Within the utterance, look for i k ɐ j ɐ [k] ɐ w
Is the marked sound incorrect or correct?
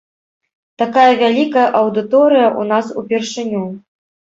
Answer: incorrect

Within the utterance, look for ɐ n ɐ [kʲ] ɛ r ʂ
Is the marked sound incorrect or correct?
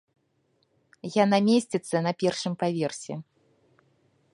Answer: incorrect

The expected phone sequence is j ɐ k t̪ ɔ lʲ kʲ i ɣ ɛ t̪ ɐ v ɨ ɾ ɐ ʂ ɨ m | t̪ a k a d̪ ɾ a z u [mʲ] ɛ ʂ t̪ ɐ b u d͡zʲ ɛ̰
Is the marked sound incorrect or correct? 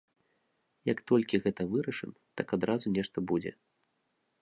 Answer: incorrect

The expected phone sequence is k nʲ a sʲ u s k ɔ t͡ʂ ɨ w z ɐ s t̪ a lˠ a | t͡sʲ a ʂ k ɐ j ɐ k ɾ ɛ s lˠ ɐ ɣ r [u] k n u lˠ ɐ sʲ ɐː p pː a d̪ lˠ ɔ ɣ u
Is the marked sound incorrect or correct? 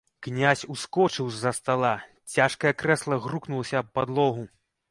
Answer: correct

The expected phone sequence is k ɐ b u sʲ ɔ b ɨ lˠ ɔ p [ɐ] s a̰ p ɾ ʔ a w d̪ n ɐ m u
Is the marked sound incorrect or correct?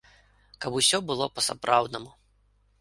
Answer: correct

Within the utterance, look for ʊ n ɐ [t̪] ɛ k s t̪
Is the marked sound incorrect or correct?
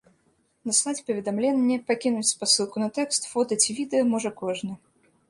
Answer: correct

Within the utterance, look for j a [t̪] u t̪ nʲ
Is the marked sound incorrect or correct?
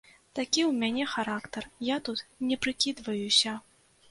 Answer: correct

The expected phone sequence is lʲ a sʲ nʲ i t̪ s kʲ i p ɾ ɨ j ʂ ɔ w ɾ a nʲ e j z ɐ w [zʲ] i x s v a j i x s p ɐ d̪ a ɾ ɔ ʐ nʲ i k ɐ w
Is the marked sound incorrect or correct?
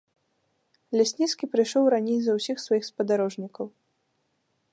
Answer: incorrect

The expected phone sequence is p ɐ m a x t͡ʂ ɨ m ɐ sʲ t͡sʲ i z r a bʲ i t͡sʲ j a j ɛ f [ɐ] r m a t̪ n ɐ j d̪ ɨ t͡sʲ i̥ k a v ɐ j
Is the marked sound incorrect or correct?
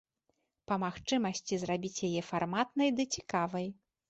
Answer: incorrect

